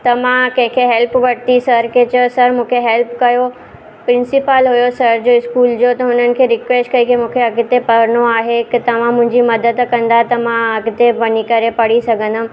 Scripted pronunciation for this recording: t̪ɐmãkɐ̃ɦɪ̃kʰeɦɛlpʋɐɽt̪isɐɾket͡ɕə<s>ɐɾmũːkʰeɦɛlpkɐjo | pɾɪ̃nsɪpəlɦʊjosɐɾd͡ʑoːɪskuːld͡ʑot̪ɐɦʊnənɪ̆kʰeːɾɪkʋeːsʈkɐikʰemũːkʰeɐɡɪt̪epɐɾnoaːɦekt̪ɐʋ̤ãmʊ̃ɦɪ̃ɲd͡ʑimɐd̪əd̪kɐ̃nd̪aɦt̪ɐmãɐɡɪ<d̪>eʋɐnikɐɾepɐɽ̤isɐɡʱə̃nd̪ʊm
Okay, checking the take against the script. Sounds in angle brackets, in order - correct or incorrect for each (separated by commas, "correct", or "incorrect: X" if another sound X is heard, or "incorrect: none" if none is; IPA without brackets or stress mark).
correct, incorrect: t̪